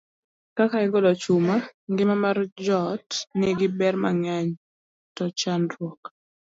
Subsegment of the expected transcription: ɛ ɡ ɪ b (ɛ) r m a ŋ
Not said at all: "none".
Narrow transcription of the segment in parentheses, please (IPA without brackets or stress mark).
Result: ɛ